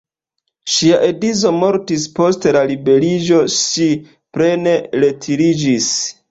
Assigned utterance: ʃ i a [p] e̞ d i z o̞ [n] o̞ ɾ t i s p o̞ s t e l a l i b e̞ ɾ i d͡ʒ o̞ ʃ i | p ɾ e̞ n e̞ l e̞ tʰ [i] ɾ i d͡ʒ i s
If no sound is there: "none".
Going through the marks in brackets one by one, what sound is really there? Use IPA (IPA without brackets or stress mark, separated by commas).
ʔ, m, i